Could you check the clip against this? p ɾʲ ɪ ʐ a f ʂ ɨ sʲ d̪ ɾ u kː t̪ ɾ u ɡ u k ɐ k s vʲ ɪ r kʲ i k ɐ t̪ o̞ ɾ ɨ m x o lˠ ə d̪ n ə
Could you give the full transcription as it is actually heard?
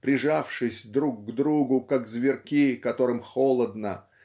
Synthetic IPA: p ɾʲ ɪ ʐ a f ʂ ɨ sʲ d̪ ɾ u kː d̪ ɾ u ɡ ʊ k a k z vʲ ɪ r kʲ i k ɐ t̪ o̞ ɾ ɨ m x o lˠ ə d̪ n ə